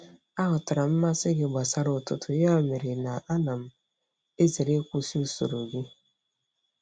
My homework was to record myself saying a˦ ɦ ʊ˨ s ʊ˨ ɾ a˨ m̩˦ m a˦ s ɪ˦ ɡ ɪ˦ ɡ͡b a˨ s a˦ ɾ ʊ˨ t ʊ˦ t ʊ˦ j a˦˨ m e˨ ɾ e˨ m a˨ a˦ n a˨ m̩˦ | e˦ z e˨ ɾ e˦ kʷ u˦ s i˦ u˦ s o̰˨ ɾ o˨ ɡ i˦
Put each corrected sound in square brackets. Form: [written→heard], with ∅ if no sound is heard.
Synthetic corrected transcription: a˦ ɦ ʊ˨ [s→t] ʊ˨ ɾ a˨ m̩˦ m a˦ s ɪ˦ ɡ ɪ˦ ɡ͡b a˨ s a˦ ɾ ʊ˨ t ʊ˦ t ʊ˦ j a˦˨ m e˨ ɾ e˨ [m→n] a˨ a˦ n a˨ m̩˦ | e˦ z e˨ ɾ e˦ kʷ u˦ s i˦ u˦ s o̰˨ ɾ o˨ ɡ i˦